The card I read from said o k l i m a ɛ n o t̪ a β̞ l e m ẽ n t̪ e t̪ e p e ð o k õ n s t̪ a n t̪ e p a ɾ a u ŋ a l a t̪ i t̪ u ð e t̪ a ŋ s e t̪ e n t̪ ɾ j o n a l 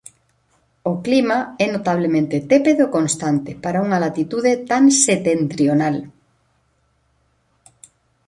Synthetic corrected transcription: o k l i m a ɛ n o t̪ a β̞ l e m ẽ n t̪ e t̪ e p e ð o k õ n s t̪ a n t̪ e p a ɾ a u ŋ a l a t̪ i t̪ u ð e t̪ a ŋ s e t̪ e n t̪ ɾ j o n a l